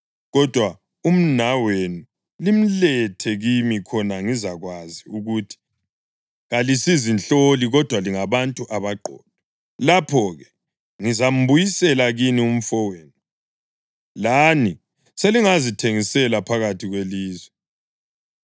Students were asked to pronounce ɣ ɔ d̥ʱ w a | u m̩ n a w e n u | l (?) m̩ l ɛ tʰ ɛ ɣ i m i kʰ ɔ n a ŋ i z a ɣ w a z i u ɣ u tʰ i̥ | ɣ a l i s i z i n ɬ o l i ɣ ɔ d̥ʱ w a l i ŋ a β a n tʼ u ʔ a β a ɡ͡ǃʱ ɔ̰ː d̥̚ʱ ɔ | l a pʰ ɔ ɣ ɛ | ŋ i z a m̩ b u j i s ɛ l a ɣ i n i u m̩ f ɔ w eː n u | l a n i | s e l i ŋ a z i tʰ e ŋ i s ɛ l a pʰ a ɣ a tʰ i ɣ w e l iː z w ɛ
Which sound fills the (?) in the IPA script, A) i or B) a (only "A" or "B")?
A